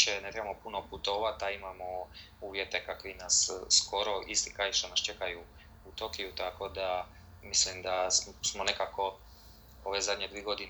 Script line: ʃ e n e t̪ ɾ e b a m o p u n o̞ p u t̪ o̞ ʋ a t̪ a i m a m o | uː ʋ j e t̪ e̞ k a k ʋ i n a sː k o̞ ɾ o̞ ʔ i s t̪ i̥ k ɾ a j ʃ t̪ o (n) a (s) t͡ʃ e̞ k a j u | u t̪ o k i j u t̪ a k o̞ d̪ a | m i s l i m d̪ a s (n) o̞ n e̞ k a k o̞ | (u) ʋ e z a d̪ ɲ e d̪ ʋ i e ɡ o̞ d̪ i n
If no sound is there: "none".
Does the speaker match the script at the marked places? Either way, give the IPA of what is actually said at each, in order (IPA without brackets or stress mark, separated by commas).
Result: n, s, m, o